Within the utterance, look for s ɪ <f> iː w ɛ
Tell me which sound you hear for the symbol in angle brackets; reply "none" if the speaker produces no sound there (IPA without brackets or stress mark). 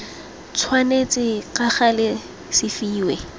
f